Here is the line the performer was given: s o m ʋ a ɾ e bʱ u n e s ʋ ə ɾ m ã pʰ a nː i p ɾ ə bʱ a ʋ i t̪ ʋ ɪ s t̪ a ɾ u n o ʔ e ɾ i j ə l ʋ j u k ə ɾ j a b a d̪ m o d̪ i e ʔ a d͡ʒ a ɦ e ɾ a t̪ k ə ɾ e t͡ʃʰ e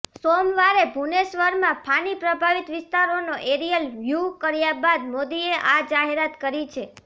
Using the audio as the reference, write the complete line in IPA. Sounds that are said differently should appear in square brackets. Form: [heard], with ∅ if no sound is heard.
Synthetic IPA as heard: s o m ʋ a ɾ e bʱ u n e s ʋ ə ɾ m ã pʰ a [n] i p ɾ ə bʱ a ʋ i t̪ ʋ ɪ s t̪ a ɾ [o] n o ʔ e ɾ i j ə l ʋ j u k ə ɾ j a b a d̪ m o d̪ i e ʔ a d͡ʒ a ɦ e ɾ a t̪ k ə ɾ [i] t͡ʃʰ e

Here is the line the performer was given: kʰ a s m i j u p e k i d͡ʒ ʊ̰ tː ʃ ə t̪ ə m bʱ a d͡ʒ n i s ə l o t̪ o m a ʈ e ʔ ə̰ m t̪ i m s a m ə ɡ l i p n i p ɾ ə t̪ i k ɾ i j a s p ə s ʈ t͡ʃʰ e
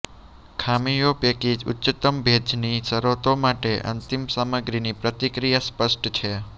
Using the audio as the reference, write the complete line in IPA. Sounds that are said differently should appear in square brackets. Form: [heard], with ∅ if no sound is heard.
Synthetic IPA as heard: kʰ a [∅] m i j [o] p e k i d͡ʒ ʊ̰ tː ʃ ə t̪ ə m bʱ [e] d͡ʒ n i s ə [ɾ] o t̪ o m a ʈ e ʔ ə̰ [n] t̪ i m s a m ə ɡ [ɾ] i [∅] n i p ɾ ə t̪ i k ɾ i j a s p ə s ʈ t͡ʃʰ e

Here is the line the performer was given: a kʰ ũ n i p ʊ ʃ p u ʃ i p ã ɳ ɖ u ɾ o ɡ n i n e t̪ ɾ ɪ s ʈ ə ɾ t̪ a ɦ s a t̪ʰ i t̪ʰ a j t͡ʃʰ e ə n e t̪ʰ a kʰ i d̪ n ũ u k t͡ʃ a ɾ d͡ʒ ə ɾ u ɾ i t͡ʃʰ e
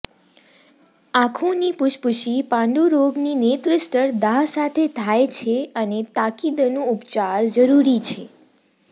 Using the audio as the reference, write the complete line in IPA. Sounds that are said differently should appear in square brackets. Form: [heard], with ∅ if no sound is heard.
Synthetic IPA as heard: a kʰ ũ n i p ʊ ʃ p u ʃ i p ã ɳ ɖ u ɾ o ɡ n i n e t̪ ɾ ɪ s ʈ ə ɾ [d̪] a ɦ s a t̪ʰ [e] t̪ʰ a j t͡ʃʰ e ə n e [t̪] a [k] i d̪ n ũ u [p] t͡ʃ a ɾ d͡ʒ ə ɾ u ɾ i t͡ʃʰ e

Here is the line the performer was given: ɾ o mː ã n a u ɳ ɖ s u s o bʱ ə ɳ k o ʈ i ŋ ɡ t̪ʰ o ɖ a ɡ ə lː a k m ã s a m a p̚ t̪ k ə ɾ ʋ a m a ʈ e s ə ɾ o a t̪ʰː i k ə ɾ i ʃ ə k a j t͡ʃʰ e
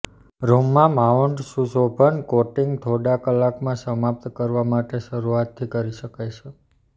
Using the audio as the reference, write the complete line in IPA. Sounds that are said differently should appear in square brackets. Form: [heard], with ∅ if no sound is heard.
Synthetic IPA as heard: ɾ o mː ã [m] a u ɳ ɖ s u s o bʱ ə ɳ k o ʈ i ŋ ɡ t̪ʰ o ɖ a [k] ə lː a k m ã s [ə] m a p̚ t̪ k ə ɾ ʋ a m a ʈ e [ʃ] ə ɾ [u] a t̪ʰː i k ə ɾ i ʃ ə k a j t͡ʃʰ e

